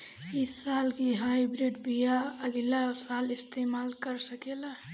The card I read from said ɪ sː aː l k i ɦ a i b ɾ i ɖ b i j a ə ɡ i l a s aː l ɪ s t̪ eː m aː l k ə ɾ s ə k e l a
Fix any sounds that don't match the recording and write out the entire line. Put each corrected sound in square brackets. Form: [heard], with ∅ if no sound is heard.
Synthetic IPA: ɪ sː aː l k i ɦ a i b ɾ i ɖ b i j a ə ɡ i l a s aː l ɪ s t̪ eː m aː l k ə ɾ s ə k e l a